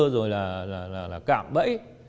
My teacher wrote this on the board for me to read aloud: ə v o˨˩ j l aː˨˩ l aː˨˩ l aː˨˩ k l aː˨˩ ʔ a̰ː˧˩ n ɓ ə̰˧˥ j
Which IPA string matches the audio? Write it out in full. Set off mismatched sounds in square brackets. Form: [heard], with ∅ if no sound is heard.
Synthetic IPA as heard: ə [z] o˨˩ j l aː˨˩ l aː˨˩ l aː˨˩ [∅] l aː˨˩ [k] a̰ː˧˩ [m] ɓ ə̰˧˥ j